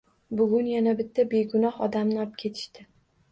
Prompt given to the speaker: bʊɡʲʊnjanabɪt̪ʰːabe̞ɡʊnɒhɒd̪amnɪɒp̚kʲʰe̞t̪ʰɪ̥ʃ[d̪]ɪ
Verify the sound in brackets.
incorrect: t̪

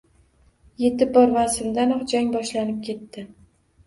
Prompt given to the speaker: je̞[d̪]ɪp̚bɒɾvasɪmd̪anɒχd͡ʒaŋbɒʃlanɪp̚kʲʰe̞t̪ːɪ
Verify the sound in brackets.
incorrect: t̪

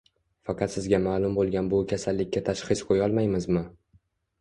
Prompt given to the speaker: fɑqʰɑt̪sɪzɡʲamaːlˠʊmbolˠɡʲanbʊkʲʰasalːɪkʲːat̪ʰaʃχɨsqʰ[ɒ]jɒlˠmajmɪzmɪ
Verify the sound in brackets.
incorrect: o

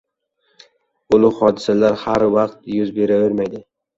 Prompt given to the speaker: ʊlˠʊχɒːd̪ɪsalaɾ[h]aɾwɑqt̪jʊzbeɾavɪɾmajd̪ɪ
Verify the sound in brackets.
correct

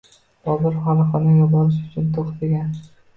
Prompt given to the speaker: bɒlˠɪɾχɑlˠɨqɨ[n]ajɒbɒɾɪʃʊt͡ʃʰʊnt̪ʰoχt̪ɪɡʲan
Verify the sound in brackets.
correct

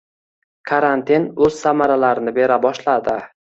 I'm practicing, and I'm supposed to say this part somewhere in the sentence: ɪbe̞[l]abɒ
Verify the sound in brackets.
incorrect: ɾ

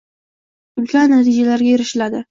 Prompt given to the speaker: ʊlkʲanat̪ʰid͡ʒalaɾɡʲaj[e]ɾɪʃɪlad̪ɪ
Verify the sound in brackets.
correct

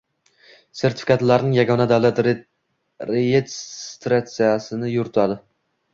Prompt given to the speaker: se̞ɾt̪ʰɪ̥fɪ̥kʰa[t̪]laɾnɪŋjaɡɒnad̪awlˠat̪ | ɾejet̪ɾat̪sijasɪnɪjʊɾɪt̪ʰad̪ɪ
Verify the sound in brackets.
correct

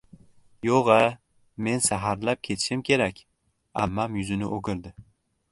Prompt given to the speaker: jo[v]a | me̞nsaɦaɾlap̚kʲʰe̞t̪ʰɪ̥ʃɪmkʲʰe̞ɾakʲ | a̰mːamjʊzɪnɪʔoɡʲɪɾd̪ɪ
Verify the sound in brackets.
incorrect: ʁ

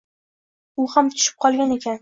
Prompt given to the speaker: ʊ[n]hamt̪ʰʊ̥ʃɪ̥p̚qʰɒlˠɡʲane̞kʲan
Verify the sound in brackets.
incorrect: none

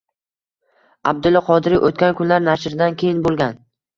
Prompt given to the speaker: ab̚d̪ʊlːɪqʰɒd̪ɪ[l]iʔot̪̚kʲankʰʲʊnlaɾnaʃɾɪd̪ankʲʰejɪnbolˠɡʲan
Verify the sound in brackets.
incorrect: ɾ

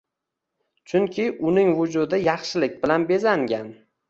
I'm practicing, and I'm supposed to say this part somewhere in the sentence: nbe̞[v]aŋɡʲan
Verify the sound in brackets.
incorrect: z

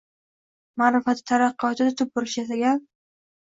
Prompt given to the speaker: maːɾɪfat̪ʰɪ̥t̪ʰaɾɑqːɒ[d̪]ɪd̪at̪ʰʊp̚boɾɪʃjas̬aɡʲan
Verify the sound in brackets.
incorrect: t̪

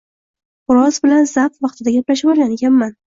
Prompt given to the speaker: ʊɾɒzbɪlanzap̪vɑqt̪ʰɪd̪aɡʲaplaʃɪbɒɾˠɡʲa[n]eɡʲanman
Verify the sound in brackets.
correct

